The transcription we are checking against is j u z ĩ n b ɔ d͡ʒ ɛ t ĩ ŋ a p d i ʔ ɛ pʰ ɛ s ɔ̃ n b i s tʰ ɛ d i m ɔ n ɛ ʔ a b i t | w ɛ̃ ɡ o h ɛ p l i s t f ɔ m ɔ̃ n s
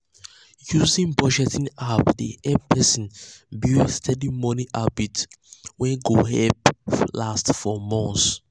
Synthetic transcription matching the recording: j u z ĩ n b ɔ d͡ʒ ɛ t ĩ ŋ a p d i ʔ ɛ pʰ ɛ s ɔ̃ n b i s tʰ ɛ d i m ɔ n i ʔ a b i t | w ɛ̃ ɡ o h ɛ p l a s t f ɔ m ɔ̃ n s